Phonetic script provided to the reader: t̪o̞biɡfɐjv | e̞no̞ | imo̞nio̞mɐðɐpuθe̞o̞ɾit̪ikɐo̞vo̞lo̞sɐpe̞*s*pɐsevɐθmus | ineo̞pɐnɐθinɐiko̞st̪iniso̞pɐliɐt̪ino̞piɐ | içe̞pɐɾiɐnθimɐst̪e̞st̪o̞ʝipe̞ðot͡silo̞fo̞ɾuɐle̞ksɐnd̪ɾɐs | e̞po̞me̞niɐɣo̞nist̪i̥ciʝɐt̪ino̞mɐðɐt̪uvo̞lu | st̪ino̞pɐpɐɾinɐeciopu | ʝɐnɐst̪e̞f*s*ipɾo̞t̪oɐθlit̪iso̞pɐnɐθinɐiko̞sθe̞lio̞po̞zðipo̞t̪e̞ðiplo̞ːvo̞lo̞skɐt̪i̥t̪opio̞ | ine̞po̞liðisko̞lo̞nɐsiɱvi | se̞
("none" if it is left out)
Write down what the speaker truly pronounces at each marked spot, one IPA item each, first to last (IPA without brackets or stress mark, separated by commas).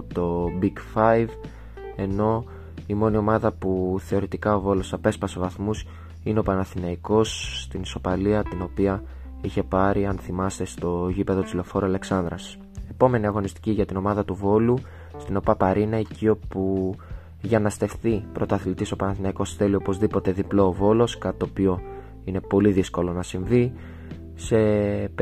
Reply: s, θ